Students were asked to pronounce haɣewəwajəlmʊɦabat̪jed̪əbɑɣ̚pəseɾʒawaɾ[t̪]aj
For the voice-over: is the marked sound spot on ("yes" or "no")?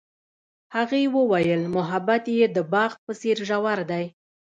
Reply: no